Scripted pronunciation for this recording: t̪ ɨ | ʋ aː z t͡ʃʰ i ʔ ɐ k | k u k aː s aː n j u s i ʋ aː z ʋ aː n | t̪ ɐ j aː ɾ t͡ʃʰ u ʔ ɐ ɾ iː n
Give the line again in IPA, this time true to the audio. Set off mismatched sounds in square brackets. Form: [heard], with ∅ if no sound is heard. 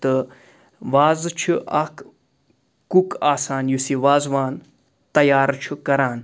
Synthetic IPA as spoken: t̪ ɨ | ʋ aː z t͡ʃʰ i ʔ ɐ k | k u k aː s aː n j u s i ʋ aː z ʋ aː n | t̪ ɐ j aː ɾ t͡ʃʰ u [k] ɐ ɾ [aː] n